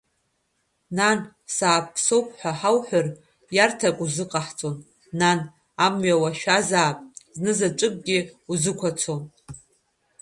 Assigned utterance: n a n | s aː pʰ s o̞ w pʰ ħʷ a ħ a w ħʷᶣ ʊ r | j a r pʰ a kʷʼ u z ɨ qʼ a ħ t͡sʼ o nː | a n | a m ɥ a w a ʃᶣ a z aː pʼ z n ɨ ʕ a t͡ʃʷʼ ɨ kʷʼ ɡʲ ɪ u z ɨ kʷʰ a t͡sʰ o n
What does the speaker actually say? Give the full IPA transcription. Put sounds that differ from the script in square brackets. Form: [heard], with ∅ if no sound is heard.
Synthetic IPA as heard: n a n | s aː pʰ s o̞ w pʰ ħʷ a ħ a w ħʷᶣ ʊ r | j a r [tʰ] a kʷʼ u z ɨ qʼ a ħ t͡sʼ o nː | a n | a m ɥ a w a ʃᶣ a z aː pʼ z n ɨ [z] a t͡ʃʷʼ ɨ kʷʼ ɡʲ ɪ u z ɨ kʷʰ a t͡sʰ o n

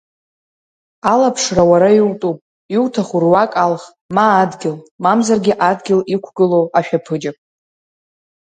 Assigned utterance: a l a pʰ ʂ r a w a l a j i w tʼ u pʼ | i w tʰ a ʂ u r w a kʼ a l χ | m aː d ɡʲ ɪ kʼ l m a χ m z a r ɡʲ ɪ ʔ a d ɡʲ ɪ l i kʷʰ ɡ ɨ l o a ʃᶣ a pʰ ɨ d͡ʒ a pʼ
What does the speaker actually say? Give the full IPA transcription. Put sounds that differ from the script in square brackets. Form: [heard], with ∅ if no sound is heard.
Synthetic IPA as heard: a l a pʰ ʂ r a w a [ɾ] a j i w tʼ u pʼ | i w tʰ a [χ] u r w a kʼ a l χ | m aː d ɡʲ ɪ [∅] l m a [∅] m z a r ɡʲ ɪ ʔ a d ɡʲ ɪ l i kʷʰ ɡ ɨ l o a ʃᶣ a pʰ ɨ d͡ʒ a pʼ

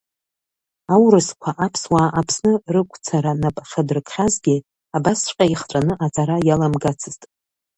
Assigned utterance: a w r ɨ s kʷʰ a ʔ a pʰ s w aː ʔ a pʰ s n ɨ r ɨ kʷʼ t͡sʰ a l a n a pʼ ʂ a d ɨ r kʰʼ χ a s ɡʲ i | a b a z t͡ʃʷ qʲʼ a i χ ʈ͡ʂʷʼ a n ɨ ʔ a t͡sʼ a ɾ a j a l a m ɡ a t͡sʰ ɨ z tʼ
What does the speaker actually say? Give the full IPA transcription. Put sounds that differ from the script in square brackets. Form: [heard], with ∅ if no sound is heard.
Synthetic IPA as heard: a w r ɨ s kʷʰ a ʔ a pʰ s w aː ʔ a pʰ s n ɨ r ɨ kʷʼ t͡sʰ a [ɾ] a n a pʼ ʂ a d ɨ r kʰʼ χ a [z] ɡʲ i | a b a [s] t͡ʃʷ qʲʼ a i χ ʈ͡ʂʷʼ a n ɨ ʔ a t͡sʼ a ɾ a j a l a m ɡ a t͡sʰ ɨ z tʼ

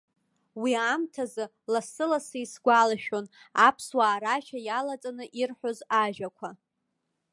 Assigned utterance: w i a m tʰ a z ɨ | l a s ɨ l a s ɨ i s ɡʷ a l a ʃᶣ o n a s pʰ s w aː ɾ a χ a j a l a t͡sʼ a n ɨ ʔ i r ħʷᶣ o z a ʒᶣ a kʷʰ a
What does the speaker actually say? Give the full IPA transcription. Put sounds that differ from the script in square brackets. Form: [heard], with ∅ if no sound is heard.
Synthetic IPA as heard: w i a m tʰ a z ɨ | l a s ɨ l a s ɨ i s ɡʷ a l a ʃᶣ o n a [∅] pʰ s w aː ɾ a [ʃ] a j a l a t͡sʼ a n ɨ ʔ i r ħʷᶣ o z a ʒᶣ a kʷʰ a

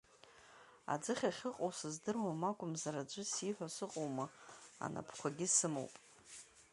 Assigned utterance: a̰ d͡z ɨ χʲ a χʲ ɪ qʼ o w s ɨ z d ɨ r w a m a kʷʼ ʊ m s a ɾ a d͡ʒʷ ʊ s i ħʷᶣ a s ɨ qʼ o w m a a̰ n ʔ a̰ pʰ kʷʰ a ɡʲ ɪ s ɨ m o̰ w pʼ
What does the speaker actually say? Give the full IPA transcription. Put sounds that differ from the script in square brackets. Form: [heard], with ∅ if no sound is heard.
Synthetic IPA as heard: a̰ d͡z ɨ χʲ a χʲ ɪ qʼ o w s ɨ z d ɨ r w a m a kʷʼ ʊ m [z] a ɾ a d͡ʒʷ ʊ s i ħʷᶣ a s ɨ qʼ o w m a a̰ n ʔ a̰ pʰ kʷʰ a ɡʲ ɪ s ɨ m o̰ w pʼ

